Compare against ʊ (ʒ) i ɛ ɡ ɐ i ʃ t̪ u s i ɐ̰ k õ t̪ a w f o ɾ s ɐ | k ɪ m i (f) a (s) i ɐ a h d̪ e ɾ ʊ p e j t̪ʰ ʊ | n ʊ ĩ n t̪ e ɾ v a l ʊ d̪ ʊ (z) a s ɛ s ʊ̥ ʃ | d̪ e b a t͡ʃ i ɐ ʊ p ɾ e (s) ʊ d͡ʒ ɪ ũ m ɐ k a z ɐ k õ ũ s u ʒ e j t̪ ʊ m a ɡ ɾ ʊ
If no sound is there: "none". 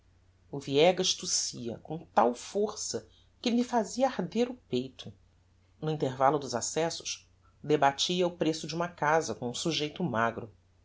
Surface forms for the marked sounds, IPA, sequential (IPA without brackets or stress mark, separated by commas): v, f, z, z, s